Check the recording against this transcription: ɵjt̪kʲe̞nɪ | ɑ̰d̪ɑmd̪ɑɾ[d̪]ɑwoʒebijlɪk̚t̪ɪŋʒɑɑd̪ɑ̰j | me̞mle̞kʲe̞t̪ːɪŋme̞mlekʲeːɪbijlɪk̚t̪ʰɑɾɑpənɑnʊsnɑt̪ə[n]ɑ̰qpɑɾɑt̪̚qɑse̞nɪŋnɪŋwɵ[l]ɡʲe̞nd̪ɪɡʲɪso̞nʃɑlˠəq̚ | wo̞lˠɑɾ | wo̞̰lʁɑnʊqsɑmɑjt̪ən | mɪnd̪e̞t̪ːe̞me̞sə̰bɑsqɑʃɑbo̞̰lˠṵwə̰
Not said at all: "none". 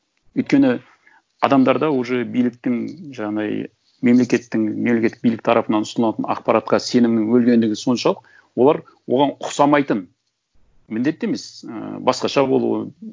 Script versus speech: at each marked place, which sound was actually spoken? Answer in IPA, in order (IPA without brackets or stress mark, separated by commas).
d̪, n, l